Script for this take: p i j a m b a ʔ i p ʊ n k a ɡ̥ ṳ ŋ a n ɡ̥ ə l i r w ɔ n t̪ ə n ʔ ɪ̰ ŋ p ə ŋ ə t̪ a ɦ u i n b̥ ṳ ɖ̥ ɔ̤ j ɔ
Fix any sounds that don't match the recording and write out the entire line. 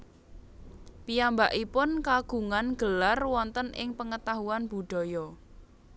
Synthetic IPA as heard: p i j a m b a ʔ i p ʊ n k a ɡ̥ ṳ ŋ a n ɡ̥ ə l a r w ɔ n t̪ ə n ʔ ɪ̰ ŋ p ə ŋ ə t̪ a ɦ u a n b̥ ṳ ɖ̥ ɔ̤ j ɔ